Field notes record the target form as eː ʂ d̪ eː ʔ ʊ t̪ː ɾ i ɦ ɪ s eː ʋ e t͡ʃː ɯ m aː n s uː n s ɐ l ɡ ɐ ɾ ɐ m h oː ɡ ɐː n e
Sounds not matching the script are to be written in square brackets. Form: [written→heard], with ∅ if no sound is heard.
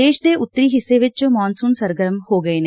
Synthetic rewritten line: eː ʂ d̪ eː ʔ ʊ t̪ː ɾ i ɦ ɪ s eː ʋ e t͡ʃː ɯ m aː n s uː n s ɐ [l→ɾ] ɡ ɐ ɾ ɐ m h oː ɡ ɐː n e